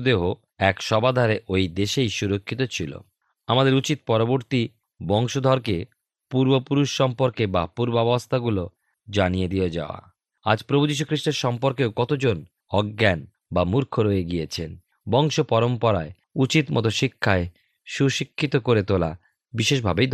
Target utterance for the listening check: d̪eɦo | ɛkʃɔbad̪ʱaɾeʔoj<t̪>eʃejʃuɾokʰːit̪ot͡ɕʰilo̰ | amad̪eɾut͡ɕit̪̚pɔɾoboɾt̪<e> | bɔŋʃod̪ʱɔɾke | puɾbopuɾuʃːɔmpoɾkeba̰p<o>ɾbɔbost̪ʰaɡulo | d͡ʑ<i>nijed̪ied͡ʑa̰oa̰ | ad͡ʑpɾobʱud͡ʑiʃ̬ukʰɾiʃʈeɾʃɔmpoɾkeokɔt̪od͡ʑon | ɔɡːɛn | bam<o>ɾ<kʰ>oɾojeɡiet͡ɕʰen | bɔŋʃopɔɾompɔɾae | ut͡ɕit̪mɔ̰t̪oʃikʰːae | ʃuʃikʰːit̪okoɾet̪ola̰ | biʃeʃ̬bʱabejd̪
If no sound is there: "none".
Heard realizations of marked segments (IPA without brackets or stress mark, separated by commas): d̪, i, u, a, u, kʰ